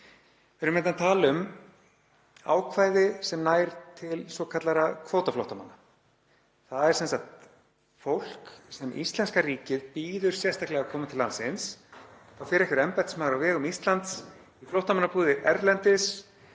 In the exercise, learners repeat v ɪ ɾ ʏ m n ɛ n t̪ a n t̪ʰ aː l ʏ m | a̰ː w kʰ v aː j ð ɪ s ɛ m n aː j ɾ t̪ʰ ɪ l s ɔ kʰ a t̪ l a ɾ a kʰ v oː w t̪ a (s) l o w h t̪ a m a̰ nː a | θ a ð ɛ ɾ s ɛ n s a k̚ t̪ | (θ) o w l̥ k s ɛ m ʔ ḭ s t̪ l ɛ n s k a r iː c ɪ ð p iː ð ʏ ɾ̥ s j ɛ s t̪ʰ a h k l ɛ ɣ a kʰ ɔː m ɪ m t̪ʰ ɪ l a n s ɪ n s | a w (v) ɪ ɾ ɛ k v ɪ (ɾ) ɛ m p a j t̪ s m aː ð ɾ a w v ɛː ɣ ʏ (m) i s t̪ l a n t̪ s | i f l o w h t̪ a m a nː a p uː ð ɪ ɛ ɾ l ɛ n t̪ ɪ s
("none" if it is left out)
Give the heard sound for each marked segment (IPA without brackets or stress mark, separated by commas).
f, f, f, ɾ, m